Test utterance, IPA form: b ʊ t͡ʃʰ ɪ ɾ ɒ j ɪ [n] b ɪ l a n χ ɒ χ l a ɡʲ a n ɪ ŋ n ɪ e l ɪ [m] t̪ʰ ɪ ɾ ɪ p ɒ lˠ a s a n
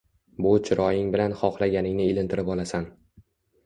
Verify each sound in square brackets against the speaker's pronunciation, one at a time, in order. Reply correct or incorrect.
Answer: incorrect: ŋ, incorrect: n

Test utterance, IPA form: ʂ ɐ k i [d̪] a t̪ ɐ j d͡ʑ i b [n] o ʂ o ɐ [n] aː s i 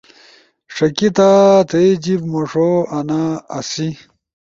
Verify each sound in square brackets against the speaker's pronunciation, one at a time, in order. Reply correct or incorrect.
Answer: incorrect: t̪, incorrect: m, correct

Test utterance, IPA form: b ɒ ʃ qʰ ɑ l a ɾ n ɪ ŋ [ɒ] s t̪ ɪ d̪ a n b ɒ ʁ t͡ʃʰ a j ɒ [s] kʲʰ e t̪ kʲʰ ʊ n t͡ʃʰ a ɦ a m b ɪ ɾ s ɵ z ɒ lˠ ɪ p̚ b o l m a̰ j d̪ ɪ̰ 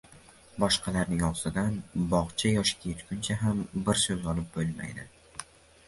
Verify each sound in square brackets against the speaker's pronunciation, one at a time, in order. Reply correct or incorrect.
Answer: correct, incorrect: ʃ

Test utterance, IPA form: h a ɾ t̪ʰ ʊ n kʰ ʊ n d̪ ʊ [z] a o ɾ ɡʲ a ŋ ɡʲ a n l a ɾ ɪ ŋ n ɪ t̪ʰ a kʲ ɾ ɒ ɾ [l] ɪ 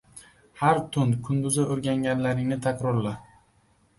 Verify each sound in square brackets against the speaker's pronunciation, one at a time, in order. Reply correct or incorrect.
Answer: correct, correct

